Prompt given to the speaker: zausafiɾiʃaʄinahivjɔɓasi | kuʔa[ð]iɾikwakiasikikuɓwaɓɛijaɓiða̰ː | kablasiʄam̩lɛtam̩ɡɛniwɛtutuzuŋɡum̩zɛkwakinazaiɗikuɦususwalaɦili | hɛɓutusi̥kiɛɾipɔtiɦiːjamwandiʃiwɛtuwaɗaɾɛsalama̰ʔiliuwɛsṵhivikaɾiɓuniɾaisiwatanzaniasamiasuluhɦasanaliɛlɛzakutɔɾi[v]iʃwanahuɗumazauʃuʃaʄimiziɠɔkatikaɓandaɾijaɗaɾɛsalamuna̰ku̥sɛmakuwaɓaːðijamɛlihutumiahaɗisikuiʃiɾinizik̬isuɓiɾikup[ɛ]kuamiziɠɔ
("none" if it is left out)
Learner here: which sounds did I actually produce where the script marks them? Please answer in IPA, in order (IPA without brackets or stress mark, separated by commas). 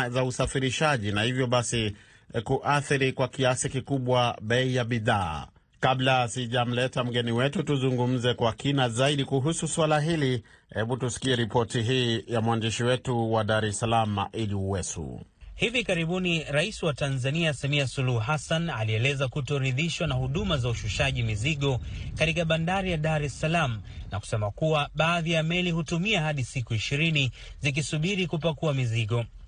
θ, ð, a